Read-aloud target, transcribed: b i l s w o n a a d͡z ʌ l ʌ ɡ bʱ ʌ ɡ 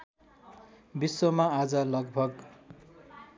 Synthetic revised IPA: b i s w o m a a d͡z ʌ l ʌ ɡ bʱ ʌ ɡ